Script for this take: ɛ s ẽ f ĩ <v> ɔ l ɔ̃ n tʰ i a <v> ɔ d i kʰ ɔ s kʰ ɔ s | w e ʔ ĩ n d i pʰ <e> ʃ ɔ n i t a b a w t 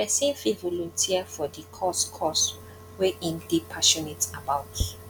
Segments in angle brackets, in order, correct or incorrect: correct, incorrect: f, incorrect: a

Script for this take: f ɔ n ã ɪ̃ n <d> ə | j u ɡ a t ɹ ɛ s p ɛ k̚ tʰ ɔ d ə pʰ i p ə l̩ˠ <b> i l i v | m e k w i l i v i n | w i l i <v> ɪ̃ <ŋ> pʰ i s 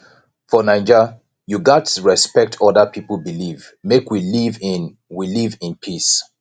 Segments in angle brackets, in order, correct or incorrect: incorrect: d͡ʒ, correct, correct, incorrect: n

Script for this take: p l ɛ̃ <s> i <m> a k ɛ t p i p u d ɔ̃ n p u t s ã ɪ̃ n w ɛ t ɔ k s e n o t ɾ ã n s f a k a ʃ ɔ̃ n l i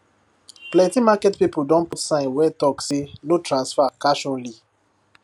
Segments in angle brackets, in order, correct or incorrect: incorrect: t, correct

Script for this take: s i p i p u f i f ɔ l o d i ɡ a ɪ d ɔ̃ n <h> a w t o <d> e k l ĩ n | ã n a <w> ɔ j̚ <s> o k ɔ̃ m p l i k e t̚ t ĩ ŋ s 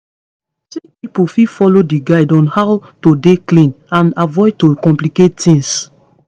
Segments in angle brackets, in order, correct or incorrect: correct, correct, incorrect: v, incorrect: t

